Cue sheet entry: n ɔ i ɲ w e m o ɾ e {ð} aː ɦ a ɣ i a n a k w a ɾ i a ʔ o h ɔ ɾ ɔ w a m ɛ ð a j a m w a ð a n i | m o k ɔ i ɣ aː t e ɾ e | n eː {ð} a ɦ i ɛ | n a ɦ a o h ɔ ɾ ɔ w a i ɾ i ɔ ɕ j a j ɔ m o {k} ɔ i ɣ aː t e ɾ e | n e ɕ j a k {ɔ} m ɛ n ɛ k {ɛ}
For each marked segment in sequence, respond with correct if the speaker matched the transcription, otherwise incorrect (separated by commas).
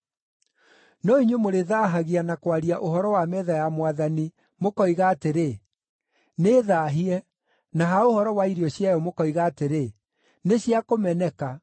correct, correct, correct, incorrect, incorrect